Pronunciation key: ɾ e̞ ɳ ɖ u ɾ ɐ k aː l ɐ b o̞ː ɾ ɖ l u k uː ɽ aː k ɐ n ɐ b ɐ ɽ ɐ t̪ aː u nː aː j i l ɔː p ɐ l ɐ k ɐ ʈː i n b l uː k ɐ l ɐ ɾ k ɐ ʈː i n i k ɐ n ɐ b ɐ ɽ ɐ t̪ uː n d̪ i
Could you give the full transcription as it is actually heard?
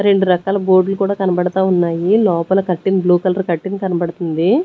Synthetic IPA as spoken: ɾ e̞ ɳ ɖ u ɾ ɐ k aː l ɐ b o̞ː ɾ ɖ l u k uː ɽ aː k ɐ n ɐ b ɐ ɽ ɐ t̪ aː u nː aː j i l ɔː p ɐ l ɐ k ɐ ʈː i n b l uː k ɐ l ɐ ɾ k ɐ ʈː i n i k ɐ n ɐ b ɐ ɽ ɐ t̪ u n d̪ i